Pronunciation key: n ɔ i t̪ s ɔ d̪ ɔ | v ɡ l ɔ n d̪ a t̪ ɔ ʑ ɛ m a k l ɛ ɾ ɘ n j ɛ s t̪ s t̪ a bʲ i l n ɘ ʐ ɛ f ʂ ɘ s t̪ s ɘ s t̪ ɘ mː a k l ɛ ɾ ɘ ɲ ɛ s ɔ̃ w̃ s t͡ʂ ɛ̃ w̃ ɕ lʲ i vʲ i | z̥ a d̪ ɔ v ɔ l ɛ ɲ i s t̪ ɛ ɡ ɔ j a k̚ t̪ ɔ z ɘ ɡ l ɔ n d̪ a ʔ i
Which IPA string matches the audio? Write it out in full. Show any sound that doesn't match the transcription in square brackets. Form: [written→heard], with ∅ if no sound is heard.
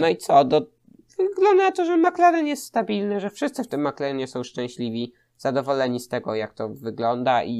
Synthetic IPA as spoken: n ɔ i t̪ s ɔ d̪ ɔ | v ɡ l ɔ n d̪ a t̪ ɔ [ʑ→ʐ] ɛ m a k l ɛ ɾ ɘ n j ɛ s t̪ s t̪ a bʲ i l n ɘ ʐ ɛ f ʂ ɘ s t̪ s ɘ [s→f] t̪ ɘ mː a k l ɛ ɾ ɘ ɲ ɛ s ɔ̃ w̃ [s→ʂ] t͡ʂ ɛ̃ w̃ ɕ lʲ i vʲ i | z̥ a d̪ ɔ v ɔ l ɛ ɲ i s t̪ ɛ ɡ ɔ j a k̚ t̪ ɔ [z→v] ɘ ɡ l ɔ n d̪ a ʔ i